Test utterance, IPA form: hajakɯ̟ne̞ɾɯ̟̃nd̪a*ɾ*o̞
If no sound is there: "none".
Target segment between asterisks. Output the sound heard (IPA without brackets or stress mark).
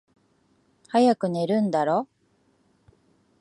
ɾ